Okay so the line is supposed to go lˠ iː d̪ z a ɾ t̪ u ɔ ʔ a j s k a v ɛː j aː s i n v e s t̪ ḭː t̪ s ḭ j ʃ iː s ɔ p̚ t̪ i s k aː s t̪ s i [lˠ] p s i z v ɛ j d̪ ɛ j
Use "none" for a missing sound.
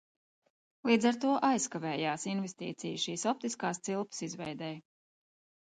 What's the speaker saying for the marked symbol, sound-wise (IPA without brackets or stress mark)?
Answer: lˠ